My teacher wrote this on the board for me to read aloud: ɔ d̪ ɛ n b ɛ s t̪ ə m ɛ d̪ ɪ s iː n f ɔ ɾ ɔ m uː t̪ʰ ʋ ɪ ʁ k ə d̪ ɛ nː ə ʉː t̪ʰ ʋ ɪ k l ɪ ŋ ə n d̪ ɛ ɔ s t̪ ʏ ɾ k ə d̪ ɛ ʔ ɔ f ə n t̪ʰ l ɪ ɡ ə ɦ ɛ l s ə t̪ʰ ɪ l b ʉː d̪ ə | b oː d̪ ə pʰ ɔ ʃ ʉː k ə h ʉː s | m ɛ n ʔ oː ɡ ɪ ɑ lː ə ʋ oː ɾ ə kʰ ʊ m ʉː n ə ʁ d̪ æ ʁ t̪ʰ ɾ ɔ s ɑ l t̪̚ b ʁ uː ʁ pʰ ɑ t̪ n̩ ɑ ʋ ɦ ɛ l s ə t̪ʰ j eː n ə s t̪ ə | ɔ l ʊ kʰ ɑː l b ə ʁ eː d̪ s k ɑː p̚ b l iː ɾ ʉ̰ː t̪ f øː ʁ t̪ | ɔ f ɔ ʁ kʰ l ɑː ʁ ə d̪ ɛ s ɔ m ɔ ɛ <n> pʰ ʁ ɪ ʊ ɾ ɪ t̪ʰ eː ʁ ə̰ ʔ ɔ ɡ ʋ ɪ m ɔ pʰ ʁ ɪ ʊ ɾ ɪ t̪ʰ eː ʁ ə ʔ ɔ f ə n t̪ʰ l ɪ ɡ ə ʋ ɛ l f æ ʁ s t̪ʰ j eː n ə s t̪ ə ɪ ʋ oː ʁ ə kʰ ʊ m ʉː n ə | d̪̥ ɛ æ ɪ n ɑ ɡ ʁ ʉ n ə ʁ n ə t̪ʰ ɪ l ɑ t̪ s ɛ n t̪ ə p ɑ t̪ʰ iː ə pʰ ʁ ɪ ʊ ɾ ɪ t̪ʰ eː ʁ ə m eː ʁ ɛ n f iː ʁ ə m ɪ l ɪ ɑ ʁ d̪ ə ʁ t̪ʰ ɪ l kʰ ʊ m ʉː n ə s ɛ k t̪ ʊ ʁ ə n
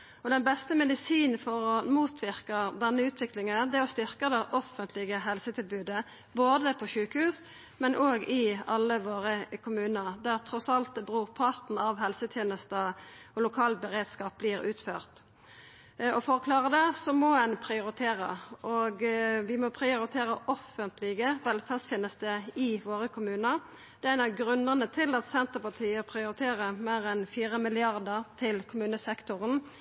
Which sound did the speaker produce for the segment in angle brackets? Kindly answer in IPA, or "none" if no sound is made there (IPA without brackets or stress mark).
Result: n